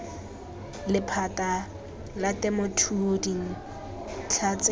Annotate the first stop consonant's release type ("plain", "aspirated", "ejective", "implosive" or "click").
aspirated